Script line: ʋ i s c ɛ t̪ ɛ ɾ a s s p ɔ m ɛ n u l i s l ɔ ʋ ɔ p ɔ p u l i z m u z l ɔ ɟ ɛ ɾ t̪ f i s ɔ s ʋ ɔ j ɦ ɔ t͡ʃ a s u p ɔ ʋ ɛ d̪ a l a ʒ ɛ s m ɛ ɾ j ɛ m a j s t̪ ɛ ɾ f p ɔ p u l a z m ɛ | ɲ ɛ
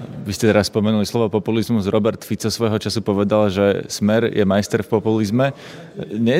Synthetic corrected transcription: ʋ i s c ɛ t̪ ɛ ɾ a s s p ɔ m ɛ n u l i s l ɔ ʋ ɔ p ɔ p u l i z m u z ɾ ɔ b ɛ ɾ t̪ f i t͡s ɔ s ʋ ɔ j ɦ ɔ t͡ʃ a s u p ɔ ʋ ɛ d̪ a l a ʒ ɛ s m ɛ ɾ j ɛ m a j s t̪ ɛ ɾ f p ɔ p u l i z m ɛ | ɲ ɛ